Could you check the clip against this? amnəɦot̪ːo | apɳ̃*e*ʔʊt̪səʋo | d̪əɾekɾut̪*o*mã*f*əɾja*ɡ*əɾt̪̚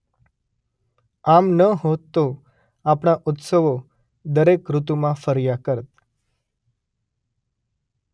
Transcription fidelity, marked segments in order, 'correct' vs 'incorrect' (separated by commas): incorrect, incorrect, correct, incorrect